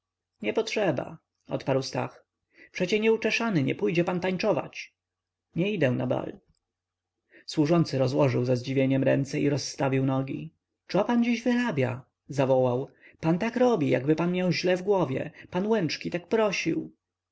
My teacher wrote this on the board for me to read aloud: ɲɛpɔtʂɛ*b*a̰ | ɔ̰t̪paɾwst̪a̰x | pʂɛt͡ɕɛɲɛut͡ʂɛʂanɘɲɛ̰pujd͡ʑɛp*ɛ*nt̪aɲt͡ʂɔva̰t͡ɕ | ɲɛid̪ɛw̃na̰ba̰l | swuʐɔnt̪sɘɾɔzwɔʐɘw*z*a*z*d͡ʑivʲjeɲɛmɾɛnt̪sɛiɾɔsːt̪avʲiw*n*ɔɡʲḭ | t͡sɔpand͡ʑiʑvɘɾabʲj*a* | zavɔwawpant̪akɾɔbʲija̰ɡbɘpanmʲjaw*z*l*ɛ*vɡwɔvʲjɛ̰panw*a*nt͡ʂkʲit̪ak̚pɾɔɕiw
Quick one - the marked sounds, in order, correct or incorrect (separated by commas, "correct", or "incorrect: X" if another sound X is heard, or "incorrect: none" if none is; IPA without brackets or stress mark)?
correct, incorrect: a, correct, correct, correct, correct, incorrect: ʑ, correct, incorrect: ɛ